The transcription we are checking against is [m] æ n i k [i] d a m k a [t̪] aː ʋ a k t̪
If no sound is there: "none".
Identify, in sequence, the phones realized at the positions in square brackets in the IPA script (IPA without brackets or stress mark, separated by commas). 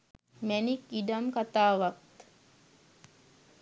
m, i, t̪